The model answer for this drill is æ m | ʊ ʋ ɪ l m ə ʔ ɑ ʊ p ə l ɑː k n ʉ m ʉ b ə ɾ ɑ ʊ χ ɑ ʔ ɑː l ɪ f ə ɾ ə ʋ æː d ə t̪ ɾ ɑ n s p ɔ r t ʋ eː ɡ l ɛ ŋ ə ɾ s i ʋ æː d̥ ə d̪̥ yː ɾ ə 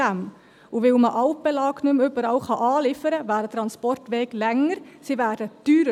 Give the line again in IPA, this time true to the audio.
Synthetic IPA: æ m | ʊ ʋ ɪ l m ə ʔ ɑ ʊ p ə l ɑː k n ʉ m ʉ b ə ɾ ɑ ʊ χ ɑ ʔ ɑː l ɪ f ə ɾ ə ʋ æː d ə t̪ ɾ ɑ n s p ɔ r t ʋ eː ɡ l ɛ ŋ ə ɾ s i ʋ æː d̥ ə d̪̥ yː ɾ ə